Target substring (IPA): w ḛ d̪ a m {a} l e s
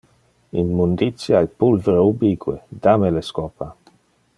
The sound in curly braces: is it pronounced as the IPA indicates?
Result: no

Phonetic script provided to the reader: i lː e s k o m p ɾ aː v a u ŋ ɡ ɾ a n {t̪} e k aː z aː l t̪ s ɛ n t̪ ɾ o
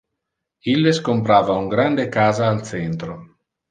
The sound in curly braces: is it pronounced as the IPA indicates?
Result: no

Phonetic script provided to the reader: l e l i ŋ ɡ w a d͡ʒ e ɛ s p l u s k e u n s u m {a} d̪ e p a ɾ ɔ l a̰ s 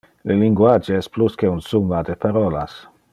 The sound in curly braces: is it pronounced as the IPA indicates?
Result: yes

